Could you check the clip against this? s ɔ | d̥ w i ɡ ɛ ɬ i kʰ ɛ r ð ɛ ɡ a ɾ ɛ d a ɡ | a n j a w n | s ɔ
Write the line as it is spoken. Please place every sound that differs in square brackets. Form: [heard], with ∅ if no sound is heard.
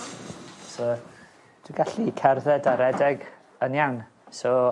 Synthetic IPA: s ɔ | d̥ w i ɡ [a] ɬ i kʰ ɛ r ð ɛ [d] a ɾ ɛ d [ɛ] ɡ | [ə] n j a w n | s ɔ